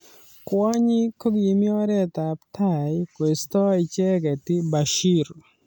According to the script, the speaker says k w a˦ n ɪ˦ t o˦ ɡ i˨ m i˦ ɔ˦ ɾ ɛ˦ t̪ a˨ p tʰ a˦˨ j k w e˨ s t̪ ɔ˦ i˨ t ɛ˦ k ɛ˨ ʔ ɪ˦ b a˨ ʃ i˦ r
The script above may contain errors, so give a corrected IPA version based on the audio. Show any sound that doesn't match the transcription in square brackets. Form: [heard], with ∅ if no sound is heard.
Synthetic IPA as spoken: k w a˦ [ɲ] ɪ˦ [k] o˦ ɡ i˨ m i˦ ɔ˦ ɾ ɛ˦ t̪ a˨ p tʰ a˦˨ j k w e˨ s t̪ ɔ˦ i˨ [t͡ʃ] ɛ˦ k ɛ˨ [t] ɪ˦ b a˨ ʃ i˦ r